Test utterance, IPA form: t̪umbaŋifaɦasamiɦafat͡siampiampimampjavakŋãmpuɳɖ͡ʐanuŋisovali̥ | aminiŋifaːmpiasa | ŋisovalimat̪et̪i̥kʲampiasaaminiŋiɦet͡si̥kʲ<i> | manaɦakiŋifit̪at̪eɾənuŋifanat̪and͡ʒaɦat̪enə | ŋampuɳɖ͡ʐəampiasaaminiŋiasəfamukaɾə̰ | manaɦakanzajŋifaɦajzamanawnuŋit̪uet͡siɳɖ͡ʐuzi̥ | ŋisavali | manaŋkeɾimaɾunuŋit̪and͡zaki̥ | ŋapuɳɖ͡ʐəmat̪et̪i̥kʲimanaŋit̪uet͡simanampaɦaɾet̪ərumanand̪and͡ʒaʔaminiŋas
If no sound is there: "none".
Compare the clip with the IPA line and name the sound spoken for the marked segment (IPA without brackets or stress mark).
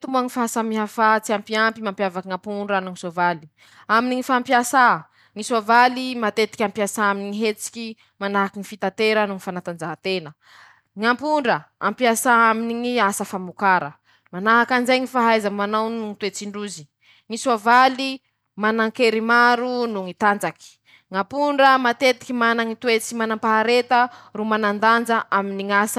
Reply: i